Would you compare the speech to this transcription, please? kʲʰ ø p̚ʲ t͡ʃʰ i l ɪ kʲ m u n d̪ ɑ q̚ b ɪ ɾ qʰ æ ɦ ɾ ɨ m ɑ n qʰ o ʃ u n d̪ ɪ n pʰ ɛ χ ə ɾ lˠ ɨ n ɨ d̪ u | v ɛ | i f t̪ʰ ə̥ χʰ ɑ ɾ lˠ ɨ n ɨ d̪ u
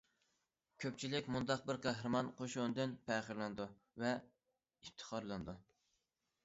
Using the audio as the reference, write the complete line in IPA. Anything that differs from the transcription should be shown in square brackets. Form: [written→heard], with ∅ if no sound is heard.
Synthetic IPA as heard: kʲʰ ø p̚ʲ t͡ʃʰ i l ɪ kʲ m u n d̪ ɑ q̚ b ɪ ɾ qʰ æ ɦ ɾ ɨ m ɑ n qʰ o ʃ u n d̪ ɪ n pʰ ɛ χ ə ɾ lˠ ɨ n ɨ d̪ u | v ɛ | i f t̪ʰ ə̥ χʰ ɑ ɾ lˠ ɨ n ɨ d̪ u